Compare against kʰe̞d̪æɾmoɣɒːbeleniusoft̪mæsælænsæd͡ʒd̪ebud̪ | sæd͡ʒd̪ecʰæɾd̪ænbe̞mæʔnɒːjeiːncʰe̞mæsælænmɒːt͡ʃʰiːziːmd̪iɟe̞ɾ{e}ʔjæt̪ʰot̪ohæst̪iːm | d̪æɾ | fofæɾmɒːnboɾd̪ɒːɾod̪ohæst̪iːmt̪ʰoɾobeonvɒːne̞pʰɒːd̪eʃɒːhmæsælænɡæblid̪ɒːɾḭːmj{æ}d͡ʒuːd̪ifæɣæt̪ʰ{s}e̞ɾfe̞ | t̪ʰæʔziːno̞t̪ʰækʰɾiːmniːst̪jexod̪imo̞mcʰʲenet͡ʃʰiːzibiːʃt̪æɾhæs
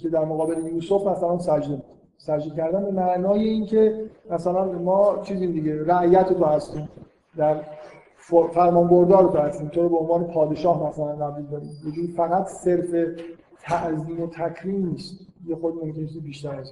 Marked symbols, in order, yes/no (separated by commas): no, no, yes